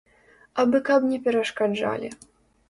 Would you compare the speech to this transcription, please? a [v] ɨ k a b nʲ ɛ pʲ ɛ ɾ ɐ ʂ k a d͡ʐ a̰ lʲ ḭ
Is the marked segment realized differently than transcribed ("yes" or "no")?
yes